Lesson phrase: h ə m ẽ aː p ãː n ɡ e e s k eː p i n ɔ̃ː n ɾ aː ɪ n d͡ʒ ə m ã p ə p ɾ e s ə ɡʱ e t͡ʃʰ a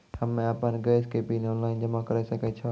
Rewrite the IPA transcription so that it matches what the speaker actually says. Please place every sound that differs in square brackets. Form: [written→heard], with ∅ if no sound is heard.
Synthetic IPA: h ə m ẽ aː p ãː n ɡ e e s k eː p i n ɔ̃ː n [ɾ→l] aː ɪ n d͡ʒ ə m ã [p→k] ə [p→∅] ɾ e s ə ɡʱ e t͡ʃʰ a